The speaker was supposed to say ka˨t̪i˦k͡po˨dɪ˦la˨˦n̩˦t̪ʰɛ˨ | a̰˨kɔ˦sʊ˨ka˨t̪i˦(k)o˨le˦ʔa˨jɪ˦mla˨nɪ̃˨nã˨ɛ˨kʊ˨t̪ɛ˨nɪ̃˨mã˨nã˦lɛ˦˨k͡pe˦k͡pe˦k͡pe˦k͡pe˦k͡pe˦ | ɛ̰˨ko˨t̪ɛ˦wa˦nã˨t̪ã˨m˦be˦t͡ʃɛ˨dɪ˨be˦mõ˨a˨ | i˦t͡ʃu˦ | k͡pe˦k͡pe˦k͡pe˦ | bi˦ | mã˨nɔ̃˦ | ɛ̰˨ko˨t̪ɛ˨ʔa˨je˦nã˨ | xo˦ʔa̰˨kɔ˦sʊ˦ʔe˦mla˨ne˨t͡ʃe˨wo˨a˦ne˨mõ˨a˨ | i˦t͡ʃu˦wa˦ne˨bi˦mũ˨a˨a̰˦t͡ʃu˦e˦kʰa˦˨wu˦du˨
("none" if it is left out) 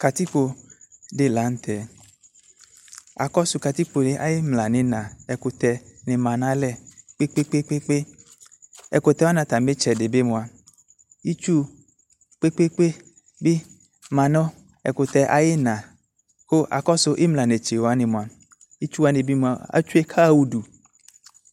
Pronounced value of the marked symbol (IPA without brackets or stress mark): k͡p